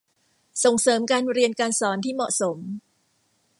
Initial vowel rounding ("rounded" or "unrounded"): rounded